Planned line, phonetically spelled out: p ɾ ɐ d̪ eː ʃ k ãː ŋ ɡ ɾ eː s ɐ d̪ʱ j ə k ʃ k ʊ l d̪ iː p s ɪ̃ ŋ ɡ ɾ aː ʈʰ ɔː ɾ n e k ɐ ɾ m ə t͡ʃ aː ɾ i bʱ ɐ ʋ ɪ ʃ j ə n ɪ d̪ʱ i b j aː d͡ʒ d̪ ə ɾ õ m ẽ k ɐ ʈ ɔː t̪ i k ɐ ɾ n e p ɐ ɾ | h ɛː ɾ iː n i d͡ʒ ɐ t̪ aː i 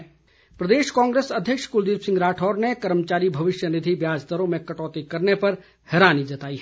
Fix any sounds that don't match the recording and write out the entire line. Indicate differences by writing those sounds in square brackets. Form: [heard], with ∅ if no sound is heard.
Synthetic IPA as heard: p ɾ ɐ d̪ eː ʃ k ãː ŋ ɡ ɾ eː s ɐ d̪ʱ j ə k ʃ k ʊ l d̪ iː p s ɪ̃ ŋ ɡ ɾ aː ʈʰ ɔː ɾ n e k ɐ ɾ m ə t͡ʃ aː ɾ i bʱ ɐ ʋ ɪ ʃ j ə n ɪ d̪ʱ i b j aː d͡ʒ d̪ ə ɾ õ m ẽ k ɐ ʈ ɔː t̪ i k ɐ ɾ n e p ɐ ɾ | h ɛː ɾ [aː] n i d͡ʒ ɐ t̪ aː i